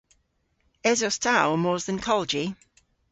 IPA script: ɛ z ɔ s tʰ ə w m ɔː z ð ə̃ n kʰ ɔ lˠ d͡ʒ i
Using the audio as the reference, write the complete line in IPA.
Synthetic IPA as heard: ɛ z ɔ s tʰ a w m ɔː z ð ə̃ n kʰ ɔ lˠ d͡ʒ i